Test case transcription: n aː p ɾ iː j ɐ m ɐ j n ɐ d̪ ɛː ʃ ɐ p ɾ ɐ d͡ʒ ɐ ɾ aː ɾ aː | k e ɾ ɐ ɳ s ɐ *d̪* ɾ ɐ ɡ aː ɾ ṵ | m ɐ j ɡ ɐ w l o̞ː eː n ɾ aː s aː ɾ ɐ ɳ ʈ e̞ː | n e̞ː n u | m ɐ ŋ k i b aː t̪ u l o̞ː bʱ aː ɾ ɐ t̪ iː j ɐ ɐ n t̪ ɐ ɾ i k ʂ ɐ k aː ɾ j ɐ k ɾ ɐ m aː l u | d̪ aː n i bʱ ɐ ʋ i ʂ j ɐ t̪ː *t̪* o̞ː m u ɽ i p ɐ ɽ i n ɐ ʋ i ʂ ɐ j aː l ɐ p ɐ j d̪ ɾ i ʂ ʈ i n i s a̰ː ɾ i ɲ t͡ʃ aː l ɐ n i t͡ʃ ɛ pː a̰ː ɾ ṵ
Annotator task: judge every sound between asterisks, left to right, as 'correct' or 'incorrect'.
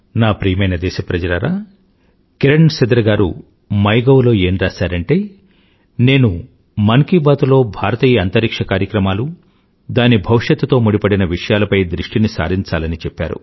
correct, correct

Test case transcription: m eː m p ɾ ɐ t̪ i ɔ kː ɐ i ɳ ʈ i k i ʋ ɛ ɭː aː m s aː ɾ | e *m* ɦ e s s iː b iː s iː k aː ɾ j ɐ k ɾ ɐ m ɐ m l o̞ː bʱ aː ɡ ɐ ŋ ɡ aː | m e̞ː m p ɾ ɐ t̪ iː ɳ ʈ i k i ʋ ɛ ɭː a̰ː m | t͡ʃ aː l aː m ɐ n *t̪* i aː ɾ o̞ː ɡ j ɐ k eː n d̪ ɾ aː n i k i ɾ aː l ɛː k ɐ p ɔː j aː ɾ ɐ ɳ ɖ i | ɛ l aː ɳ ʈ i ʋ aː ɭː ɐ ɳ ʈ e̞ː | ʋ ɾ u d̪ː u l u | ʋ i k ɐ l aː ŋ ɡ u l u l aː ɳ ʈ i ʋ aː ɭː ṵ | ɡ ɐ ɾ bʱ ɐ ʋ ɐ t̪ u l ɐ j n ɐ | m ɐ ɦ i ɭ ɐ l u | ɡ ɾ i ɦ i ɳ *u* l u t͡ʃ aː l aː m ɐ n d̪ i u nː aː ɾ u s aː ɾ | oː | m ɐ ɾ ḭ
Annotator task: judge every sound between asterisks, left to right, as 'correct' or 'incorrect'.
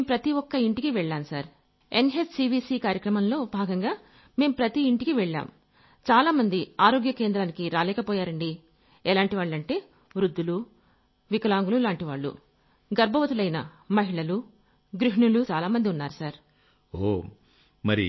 incorrect, incorrect, correct

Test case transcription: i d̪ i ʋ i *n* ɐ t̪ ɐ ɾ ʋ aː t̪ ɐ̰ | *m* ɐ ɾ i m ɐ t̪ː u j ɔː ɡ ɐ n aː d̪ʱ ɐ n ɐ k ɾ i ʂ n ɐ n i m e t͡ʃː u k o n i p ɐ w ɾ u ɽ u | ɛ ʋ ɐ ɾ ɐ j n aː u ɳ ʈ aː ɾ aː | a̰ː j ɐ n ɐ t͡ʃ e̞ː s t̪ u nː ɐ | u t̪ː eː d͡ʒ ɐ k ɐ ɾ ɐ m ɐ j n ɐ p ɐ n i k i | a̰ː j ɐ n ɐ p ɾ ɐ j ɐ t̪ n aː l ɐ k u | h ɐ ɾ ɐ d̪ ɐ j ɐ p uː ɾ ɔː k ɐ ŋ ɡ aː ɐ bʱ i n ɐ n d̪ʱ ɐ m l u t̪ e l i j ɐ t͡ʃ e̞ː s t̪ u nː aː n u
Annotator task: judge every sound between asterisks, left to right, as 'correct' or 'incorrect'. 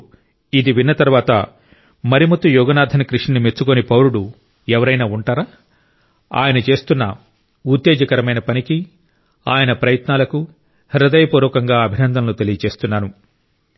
incorrect, correct

